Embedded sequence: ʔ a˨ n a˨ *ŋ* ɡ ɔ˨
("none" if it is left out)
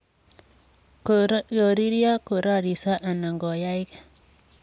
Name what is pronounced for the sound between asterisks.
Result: ŋ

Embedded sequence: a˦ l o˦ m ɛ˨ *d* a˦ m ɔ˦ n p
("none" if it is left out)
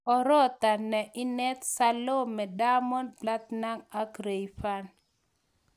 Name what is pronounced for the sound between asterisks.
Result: d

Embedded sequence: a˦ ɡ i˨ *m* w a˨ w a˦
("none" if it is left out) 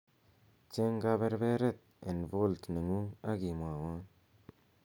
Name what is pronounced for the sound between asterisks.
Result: m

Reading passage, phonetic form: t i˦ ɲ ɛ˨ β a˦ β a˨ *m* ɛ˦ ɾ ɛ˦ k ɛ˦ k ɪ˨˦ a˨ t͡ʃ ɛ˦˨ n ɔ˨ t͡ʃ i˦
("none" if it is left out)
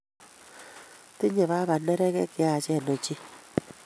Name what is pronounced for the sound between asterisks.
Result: n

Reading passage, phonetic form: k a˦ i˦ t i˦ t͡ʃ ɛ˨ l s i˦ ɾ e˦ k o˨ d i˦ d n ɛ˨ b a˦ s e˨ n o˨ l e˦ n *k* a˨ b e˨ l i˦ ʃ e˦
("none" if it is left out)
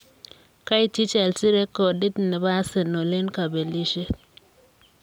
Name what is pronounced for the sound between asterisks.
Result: k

